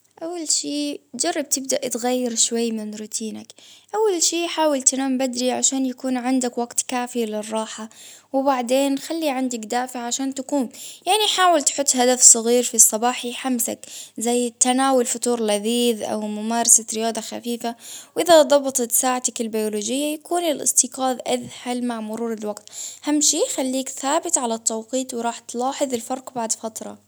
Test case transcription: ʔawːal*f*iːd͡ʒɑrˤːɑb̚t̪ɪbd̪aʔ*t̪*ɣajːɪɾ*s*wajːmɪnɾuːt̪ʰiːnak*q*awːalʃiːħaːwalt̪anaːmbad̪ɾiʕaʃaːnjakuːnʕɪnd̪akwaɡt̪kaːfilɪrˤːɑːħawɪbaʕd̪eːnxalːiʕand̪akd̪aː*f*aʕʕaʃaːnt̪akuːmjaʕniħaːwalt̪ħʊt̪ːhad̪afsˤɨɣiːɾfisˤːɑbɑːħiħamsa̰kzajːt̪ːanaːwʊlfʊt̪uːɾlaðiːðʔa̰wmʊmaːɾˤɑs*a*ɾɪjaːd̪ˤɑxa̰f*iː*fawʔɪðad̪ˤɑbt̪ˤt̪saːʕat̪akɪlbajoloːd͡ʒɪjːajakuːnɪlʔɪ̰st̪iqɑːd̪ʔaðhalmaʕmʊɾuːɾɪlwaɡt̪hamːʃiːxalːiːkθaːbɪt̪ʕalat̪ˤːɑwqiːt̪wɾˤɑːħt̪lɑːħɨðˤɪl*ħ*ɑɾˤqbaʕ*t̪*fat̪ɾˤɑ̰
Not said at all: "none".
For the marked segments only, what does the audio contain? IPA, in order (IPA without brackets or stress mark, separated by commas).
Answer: ʃ, t̪, ʃ, ʔ, f, a, iː, f, d̪